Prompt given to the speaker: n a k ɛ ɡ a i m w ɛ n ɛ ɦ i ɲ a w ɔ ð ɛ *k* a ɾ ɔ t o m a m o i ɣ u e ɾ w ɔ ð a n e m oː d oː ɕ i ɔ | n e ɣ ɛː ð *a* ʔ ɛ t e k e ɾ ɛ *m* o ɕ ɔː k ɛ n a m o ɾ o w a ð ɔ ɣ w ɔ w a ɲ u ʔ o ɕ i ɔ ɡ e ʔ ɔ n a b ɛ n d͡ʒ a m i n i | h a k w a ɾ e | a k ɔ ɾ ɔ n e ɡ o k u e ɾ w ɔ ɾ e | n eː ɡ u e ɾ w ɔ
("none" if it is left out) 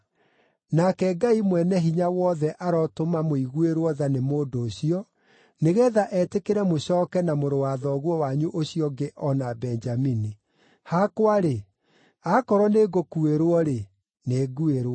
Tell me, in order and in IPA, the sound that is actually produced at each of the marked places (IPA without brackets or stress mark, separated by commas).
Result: ʔ, a, m